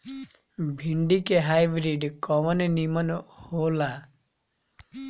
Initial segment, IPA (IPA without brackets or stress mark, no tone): bʱ